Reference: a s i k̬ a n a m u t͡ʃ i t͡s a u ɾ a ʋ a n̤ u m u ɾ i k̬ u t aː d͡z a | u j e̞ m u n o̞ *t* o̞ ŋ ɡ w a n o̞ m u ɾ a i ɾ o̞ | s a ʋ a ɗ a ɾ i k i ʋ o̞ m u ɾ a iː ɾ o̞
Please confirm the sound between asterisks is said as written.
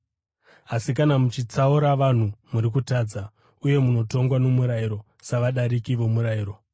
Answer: yes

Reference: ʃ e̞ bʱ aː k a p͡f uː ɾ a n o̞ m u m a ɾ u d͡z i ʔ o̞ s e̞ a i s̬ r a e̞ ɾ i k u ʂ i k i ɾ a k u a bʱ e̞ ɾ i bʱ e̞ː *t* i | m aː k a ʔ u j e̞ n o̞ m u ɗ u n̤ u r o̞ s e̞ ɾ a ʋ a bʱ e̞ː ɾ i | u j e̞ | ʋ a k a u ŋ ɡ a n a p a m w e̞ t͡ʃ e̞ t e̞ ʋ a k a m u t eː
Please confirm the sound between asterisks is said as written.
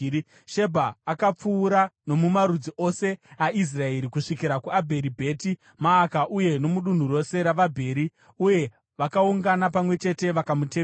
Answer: yes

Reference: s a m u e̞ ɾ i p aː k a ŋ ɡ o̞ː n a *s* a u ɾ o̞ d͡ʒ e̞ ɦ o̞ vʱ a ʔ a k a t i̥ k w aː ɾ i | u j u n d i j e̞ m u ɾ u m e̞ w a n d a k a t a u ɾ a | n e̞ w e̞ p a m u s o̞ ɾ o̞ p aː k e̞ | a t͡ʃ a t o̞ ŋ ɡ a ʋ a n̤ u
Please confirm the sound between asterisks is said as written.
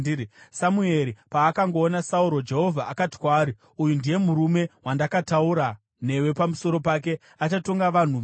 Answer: yes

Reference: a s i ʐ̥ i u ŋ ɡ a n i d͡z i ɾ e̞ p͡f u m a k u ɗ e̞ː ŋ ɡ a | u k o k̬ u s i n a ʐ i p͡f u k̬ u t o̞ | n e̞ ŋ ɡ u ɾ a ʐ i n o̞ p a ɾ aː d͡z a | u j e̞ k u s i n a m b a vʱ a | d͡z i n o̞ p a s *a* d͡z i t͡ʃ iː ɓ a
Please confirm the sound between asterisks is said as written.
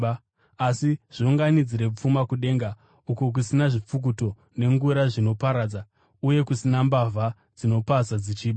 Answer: yes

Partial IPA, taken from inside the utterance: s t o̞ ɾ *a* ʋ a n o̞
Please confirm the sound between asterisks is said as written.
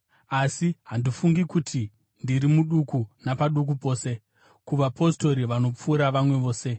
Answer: no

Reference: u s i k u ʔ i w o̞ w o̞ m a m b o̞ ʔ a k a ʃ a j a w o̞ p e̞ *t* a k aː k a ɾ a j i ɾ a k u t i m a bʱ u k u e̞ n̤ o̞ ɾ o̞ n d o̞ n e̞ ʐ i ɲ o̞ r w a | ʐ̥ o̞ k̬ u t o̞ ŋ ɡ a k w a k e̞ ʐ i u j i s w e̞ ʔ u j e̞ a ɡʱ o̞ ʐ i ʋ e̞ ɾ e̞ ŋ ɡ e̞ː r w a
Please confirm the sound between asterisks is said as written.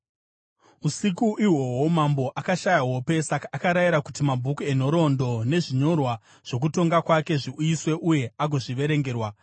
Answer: no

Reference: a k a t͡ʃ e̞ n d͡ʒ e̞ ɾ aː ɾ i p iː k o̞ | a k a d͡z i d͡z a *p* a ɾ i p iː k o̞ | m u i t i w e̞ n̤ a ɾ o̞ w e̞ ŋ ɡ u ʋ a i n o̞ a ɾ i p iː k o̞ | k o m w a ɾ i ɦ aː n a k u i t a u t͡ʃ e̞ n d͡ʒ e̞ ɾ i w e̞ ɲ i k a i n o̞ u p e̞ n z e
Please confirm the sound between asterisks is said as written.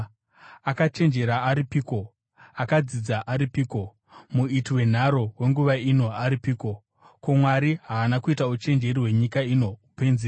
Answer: no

